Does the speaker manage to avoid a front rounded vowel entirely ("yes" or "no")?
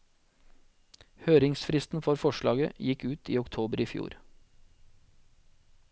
no